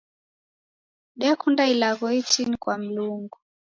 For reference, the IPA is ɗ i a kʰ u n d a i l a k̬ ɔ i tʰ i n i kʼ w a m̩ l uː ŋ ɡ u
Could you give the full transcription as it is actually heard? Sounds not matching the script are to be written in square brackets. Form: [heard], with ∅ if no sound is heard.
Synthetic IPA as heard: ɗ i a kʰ u n d a i l a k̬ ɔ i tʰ i n i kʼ w a m̩ l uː ŋ ɡ u